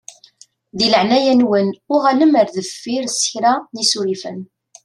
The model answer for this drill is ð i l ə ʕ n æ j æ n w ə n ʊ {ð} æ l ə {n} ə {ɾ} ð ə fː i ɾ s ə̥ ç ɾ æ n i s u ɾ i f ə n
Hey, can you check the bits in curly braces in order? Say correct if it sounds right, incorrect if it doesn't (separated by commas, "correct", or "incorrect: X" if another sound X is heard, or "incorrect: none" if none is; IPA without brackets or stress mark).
incorrect: ʁ, incorrect: m, correct